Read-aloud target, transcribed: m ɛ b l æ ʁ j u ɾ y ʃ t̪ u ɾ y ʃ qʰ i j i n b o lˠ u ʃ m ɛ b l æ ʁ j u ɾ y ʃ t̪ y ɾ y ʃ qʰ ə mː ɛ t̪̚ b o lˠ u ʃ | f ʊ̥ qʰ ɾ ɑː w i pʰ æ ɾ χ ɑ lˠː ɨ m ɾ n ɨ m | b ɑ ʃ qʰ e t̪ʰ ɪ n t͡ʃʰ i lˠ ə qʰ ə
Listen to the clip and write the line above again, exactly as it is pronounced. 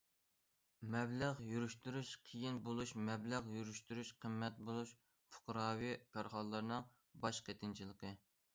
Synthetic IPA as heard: m ɛ b l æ ʁ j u ɾ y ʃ t̪ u ɾ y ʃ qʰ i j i n b o lˠ u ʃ m ɛ b l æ ʁ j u ɾ y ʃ t̪ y ɾ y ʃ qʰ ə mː ɛ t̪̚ b o lˠ u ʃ | f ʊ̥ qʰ ɾ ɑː w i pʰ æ ɾ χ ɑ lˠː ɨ ɾ n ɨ ŋ | b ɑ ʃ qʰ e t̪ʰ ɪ n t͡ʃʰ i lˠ ə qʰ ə